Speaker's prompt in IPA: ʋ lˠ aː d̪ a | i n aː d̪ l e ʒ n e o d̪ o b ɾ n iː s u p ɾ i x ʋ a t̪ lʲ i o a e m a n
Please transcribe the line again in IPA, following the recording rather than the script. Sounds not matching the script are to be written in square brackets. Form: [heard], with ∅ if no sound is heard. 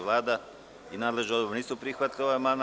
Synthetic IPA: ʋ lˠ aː d̪ a | i n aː d̪ l e ʒ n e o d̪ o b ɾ n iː s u p ɾ i x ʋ a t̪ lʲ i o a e m a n